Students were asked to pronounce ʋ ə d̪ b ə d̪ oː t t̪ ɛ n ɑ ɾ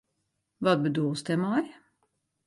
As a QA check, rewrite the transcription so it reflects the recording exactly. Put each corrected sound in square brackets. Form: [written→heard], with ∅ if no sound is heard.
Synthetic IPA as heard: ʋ [ə→ɑ] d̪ b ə d̪ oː [t→s] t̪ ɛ [n→m] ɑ ɾ

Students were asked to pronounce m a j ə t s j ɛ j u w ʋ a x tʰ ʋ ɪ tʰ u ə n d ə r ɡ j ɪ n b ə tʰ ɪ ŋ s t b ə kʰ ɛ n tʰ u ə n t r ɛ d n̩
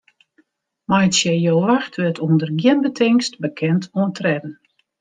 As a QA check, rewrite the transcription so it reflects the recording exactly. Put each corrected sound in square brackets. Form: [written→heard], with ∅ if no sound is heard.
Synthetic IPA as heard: m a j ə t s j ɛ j [u→o] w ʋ a x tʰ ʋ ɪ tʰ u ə n d ə r ɡ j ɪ n b ə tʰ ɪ ŋ s t b ə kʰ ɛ n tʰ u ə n t r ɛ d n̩

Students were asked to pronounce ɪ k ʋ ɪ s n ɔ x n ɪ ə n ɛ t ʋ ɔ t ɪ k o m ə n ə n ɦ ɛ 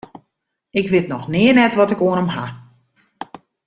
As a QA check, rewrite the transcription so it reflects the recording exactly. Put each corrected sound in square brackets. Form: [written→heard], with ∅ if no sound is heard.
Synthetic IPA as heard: ɪ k ʋ ɪ [s→t] n ɔ x n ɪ ə n ɛ t ʋ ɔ t ɪ k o [m→∅] ə n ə [n→m] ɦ [ɛ→a]

